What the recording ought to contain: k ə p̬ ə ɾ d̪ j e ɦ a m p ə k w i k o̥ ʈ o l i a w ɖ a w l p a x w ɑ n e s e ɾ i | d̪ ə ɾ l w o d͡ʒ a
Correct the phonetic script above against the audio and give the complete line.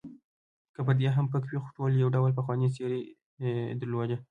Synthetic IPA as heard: k ə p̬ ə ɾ d̪ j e ɦ a m p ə k w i x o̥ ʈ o l j a w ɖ a w l p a x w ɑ n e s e ɾ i | d̪ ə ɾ l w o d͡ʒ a